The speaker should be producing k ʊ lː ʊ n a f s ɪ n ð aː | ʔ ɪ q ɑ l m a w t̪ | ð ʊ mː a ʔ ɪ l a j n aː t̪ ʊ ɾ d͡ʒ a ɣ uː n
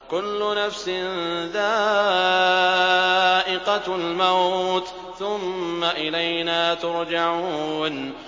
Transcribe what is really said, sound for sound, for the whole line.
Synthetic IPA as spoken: k ʊ lː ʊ n a f s ɪ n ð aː | ʔ ɪ q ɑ l m a w t̪ | θ ʊ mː a ʔ ɪ l a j n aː t̪ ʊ ɾ d͡ʒ a ʕ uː n